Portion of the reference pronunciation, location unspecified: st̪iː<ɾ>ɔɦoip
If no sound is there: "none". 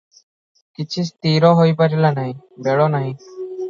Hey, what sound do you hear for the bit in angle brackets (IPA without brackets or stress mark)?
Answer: ɾ